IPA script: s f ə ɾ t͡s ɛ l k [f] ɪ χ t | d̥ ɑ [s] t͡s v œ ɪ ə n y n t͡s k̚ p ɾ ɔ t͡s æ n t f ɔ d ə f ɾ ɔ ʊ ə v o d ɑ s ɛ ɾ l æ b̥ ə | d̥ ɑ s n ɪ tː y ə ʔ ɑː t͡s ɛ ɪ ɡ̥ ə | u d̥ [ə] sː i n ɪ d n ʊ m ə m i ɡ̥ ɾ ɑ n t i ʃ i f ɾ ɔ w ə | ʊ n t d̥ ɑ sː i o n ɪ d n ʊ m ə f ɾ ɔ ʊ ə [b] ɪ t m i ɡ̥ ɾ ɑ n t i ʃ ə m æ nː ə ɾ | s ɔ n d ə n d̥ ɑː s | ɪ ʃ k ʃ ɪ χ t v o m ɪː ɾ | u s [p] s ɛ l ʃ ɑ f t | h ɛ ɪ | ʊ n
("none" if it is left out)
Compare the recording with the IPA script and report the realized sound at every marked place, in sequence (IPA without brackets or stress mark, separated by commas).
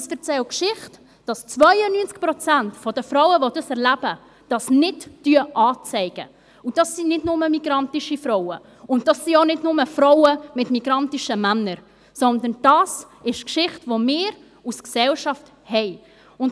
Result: ʃ, s, ɑ, m, k